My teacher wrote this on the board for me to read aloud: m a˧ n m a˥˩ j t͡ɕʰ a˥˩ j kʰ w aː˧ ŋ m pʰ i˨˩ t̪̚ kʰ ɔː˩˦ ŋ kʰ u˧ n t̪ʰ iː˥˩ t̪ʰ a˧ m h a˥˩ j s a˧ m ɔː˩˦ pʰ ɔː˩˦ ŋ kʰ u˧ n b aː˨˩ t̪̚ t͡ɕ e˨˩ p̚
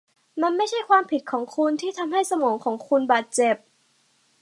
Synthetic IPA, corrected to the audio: m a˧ n m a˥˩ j t͡ɕʰ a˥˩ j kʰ w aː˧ m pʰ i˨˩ t̪̚ kʰ ɔː˩˦ ŋ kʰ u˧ n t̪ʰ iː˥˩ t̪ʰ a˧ m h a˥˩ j s a˧ m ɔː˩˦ kʰ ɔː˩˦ ŋ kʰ u˧ n b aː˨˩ t̪̚ t͡ɕ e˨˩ p̚